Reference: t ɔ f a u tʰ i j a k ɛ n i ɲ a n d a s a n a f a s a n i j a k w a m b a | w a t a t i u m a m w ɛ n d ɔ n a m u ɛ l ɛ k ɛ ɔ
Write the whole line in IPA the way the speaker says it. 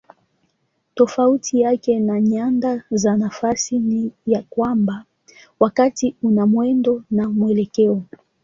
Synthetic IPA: t ɔ f a u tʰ i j a k ɛ n a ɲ a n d a z a n a f a s i n i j a k w a m b a | w a k a t i u n a m w ɛ n d ɔ n a m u ɛ l ɛ k ɛ ɔ